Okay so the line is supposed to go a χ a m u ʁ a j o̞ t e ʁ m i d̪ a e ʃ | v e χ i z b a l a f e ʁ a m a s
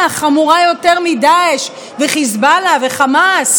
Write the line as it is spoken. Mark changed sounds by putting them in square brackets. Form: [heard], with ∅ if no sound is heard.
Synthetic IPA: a χ a m u ʁ a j o̞ t e ʁ m i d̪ a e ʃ | v e χ i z b a l a [v] e [χ] a m a s